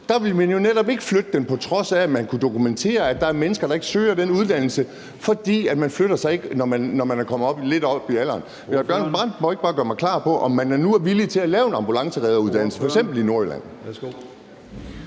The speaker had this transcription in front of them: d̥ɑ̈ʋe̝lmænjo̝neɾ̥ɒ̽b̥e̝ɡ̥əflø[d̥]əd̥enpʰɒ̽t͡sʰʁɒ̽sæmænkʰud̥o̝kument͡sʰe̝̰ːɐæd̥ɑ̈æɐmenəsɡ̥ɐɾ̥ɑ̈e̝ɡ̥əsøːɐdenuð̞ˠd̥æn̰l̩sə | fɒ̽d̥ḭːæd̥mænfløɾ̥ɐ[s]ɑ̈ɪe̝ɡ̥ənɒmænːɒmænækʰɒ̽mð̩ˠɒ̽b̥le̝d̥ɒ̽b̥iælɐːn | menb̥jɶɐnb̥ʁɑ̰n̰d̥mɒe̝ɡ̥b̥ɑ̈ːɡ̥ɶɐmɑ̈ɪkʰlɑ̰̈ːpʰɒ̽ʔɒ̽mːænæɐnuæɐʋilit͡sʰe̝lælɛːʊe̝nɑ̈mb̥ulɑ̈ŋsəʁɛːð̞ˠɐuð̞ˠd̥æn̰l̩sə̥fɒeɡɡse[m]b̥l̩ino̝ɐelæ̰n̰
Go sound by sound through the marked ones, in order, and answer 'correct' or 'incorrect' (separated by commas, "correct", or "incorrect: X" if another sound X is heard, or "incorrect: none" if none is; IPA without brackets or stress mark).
correct, correct, correct